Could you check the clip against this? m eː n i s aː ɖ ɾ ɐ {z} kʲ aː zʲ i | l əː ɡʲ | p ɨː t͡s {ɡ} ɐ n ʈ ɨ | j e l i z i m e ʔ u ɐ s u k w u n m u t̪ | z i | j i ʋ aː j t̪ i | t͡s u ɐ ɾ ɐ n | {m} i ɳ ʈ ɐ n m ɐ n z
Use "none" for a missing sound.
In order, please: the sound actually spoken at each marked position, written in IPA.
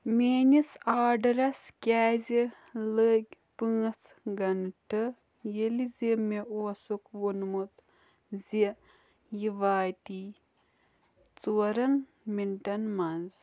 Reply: s, ɡ, m

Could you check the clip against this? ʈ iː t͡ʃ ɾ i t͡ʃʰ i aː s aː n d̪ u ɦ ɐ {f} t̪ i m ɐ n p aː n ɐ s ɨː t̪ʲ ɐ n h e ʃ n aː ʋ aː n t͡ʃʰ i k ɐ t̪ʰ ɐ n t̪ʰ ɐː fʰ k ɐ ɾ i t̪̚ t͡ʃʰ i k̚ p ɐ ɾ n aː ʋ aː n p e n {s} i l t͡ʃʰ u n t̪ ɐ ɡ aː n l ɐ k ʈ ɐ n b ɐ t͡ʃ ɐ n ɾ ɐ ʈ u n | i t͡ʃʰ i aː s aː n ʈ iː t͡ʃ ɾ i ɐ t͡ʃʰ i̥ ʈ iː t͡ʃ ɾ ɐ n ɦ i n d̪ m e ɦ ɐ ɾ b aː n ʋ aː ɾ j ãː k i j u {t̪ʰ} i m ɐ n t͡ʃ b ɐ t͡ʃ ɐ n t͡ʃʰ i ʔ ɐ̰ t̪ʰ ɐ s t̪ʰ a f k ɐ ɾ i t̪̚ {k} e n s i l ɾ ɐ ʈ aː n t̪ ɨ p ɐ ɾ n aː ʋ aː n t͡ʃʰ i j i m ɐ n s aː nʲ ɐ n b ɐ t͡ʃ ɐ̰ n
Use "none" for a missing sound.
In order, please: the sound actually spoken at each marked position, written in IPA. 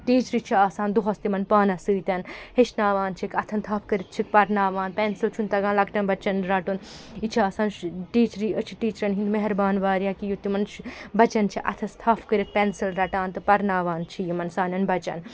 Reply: s, s, t̪, p

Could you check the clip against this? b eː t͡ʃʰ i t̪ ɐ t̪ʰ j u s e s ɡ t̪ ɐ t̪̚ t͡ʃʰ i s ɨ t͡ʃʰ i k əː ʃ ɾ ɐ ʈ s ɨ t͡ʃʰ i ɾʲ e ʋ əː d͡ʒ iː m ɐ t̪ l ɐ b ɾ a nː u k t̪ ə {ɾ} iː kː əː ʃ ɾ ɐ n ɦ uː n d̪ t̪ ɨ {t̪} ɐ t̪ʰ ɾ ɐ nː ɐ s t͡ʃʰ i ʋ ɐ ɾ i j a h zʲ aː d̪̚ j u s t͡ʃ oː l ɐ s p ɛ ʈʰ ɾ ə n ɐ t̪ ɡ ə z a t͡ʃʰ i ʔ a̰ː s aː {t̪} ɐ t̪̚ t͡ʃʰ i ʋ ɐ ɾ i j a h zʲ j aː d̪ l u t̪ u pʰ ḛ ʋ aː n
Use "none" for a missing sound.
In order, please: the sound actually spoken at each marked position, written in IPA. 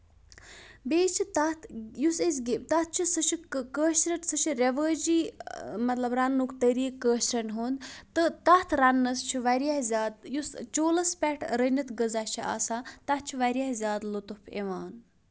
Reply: ɾ, t̪, t̪

